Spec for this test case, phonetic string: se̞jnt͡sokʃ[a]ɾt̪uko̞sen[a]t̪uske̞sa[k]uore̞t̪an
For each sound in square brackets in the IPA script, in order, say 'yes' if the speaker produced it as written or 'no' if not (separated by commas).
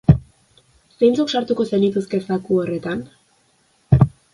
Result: yes, no, yes